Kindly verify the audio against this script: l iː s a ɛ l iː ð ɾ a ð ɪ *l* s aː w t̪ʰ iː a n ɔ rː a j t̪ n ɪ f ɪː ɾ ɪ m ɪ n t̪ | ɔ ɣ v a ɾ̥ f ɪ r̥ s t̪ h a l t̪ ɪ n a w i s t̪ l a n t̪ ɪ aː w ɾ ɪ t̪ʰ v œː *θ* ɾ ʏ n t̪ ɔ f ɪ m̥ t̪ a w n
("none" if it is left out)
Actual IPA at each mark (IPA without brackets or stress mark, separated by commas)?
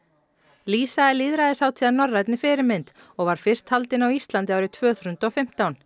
none, θ